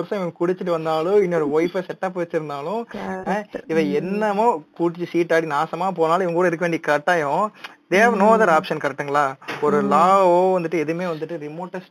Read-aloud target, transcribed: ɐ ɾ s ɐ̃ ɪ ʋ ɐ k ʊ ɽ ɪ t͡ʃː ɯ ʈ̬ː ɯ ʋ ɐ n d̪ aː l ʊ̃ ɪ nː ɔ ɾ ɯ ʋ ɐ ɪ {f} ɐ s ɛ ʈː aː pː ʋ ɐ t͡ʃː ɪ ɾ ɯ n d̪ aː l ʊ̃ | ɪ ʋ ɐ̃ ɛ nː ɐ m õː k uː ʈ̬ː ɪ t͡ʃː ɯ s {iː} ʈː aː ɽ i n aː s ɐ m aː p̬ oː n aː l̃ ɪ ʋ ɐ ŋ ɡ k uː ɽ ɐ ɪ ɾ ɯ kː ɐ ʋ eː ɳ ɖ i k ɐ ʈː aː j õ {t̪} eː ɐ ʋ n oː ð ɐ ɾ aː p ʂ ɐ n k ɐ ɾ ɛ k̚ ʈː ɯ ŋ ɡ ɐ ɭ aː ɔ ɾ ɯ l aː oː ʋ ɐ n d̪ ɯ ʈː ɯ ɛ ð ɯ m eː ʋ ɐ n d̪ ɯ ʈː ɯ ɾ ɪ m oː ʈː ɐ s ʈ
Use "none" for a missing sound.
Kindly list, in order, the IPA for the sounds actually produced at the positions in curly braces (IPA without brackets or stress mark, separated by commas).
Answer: f, iː, d̪